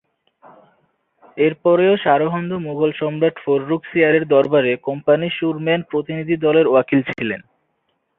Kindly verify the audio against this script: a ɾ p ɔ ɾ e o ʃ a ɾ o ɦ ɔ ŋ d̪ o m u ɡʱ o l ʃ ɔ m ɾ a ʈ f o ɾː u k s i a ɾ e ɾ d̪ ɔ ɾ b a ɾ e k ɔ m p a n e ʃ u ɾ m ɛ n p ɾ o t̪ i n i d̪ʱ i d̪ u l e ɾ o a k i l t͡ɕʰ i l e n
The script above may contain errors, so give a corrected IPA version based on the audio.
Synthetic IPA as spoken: e ɾ p ɔ ɾ e o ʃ a ɾ o ɦ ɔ n d̪ o m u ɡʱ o l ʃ ɔ m ɾ a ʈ f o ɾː u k s i a ɾ e ɾ d̪ ɔ ɾ b a ɾ e k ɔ m p a n i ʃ u ɾ m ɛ n p ɾ o t̪ i n i d̪ʱ i d̪ ɔ l e ɾ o a k i l t͡ɕʰ i l e n